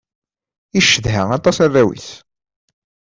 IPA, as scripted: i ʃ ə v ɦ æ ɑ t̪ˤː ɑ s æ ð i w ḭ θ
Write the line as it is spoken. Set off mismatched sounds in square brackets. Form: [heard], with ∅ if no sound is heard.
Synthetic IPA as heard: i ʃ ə [ð] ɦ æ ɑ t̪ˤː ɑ s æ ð [æ] w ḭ θ

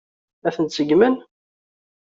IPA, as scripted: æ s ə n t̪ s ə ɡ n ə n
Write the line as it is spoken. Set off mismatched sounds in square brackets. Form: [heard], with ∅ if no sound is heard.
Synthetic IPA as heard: æ [θ] ə n t̪ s ə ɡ [m] ə n

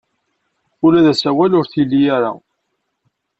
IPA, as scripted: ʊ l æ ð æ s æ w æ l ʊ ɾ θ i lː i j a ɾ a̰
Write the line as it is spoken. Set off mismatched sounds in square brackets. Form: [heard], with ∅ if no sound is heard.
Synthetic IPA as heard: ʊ l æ ð æ s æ w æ l ʊ ɾ θ i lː i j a ɾ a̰

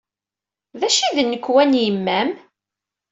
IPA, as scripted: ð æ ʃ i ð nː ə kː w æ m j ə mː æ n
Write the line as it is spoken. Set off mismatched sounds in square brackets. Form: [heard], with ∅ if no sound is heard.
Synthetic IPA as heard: ð æ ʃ i ð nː ə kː w æ [n] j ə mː æ [m]

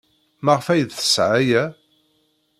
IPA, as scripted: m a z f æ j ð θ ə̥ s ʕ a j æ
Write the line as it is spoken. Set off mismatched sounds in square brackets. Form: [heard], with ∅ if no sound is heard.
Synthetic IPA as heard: m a [ʁ] f æ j ð θ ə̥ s ʕ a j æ

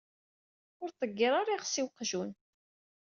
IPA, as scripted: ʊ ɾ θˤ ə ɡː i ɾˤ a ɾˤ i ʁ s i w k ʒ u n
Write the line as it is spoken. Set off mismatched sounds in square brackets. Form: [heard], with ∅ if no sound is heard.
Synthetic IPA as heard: ʊ ɾ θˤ ə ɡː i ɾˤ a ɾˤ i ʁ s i w [q] ʒ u n

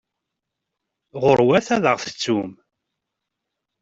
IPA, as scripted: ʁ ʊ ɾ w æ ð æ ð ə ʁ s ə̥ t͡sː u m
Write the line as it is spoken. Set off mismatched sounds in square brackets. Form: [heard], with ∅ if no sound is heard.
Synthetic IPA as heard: ʁ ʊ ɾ w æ [θ] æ ð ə ʁ [θ] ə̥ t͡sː u m

